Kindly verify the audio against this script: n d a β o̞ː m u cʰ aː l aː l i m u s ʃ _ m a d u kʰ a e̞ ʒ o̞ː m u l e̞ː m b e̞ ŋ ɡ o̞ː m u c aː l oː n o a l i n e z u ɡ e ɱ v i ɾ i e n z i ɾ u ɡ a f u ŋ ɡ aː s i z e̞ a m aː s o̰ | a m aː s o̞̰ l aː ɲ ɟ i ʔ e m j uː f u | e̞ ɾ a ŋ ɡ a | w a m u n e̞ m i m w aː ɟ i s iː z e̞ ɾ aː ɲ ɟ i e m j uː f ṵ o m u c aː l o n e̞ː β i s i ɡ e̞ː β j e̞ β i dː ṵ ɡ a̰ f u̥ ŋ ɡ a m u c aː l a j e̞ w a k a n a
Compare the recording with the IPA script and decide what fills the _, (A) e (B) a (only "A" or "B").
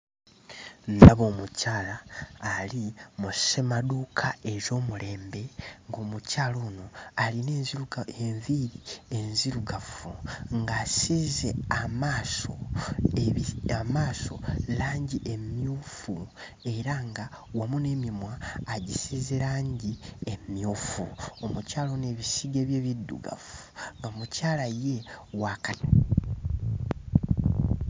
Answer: A